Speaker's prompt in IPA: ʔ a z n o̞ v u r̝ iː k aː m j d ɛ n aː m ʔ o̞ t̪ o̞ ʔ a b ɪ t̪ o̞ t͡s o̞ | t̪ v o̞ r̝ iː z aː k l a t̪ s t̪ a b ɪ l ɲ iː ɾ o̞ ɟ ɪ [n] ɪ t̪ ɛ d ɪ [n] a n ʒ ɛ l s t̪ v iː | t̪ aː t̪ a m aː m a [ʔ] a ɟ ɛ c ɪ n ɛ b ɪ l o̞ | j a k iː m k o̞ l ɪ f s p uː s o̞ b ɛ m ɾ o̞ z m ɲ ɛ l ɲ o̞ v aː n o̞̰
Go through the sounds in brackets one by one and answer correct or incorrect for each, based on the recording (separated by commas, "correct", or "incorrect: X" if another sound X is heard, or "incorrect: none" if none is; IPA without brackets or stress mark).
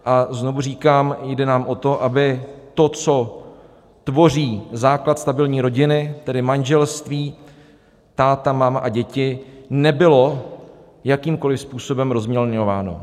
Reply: correct, incorrect: m, correct